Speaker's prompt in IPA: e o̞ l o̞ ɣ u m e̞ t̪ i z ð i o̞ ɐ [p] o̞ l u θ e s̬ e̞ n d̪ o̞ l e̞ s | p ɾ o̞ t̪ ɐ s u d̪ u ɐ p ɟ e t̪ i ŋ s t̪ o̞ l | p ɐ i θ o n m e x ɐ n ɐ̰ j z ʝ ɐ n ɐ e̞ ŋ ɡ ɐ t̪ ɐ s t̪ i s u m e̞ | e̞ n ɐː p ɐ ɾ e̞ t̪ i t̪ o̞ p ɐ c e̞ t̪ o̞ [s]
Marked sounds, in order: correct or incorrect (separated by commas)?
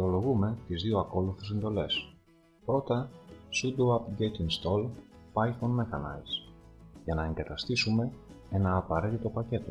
incorrect, incorrect